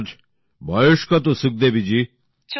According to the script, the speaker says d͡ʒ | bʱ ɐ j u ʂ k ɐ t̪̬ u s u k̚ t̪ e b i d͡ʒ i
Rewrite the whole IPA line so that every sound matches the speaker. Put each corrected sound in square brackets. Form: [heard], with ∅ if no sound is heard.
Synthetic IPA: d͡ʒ | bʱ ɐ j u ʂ k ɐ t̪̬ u s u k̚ [d̪] e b i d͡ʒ i